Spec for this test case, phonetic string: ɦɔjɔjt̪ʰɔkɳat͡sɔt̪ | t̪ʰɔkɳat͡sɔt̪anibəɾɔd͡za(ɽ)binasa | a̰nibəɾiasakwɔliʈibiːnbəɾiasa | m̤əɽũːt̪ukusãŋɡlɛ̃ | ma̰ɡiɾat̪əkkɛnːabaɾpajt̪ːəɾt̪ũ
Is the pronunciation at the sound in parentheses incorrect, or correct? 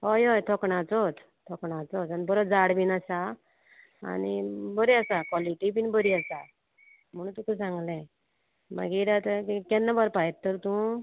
correct